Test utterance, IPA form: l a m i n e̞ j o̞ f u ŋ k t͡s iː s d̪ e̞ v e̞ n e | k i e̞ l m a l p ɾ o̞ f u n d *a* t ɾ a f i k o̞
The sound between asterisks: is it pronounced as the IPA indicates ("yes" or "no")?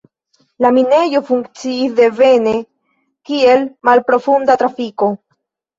yes